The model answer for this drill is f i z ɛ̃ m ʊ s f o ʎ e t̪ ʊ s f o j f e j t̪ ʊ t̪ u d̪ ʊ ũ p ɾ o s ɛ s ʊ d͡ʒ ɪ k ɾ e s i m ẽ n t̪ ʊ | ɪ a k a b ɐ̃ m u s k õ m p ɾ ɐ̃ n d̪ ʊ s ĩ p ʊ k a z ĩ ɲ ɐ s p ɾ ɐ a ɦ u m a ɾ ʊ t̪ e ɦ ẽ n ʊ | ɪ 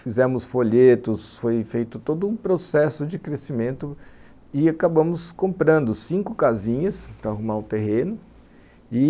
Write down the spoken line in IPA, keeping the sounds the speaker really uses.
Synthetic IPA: f i z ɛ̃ m ʊ s f o ʎ e t̪ ʊ s f o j f e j t̪ ʊ t̪ o d̪ ʊ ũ p ɾ o s ɛ s ʊ d͡ʒ ɪ k ɾ e s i m ẽ n t̪ ʊ | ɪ a k a b ɐ̃ m ʊ s k õ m p ɾ ɐ̃ n d̪ ʊ s ĩ k ʊ k a z ĩ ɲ ɐ s p ɾ ɐ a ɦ u m a ɾ ʊ t̪ e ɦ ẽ n ʊ | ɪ